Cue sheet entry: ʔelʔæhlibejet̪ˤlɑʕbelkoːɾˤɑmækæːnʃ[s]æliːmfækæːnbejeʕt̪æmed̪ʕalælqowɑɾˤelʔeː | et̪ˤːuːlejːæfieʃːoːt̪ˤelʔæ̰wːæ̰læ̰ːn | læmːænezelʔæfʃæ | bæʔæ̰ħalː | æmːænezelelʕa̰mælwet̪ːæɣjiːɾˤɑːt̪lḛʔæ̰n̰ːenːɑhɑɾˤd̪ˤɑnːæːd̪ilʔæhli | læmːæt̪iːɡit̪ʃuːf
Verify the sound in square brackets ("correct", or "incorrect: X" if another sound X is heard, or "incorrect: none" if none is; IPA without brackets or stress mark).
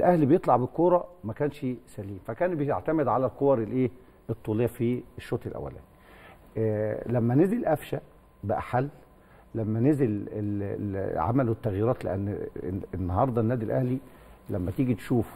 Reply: correct